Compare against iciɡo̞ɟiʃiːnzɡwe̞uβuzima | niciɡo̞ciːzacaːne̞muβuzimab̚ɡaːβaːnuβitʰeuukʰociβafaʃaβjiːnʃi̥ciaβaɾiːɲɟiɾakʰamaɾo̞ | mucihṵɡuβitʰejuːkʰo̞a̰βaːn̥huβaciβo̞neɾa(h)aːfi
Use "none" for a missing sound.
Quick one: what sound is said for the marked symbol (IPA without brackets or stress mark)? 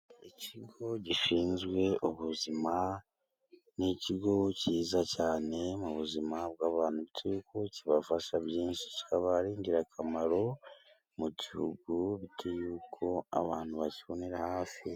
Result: h